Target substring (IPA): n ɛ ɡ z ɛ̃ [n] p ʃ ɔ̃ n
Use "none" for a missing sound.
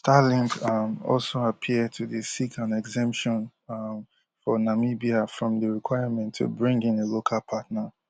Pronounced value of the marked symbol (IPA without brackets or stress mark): m